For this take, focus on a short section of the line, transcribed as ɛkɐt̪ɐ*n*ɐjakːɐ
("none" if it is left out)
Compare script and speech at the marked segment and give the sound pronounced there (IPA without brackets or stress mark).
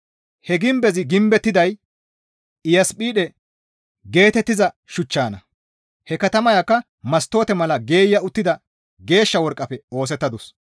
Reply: m